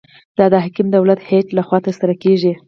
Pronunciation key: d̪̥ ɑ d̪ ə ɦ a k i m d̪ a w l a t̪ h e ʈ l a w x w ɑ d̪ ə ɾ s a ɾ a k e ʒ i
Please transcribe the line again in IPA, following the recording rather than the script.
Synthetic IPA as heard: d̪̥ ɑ d̪ ə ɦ a k i m d̪ a w l a t̪ h e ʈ l a x w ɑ t̪ ə ɾ s a ɾ a k e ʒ i